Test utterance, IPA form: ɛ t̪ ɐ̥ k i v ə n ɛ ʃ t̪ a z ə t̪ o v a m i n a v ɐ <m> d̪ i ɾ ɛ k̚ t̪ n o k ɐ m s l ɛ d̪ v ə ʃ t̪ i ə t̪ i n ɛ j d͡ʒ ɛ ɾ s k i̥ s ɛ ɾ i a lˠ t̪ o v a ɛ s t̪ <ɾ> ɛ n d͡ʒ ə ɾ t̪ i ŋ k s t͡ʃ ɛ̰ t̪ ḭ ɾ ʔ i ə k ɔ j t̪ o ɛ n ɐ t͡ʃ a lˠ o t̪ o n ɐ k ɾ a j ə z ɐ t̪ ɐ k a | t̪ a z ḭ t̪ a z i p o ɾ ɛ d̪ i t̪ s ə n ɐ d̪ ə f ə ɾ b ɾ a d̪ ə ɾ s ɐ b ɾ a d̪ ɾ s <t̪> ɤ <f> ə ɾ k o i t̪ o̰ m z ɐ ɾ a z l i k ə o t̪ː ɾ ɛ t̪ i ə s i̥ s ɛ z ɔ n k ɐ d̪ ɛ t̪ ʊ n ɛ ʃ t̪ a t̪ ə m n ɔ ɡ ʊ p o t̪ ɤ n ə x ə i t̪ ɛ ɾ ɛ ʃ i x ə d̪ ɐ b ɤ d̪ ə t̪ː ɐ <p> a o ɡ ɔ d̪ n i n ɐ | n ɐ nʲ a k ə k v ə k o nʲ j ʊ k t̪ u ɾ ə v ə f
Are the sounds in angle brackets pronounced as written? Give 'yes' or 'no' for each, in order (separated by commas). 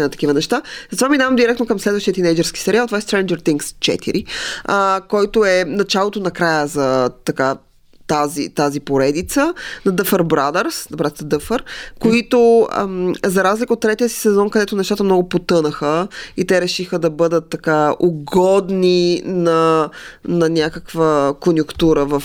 yes, yes, no, yes, no